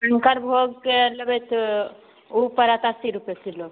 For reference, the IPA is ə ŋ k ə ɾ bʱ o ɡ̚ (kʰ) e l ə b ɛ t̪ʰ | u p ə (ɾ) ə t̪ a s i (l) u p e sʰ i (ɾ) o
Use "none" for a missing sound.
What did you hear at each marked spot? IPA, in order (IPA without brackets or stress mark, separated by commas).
k, ɾ, ɾ, l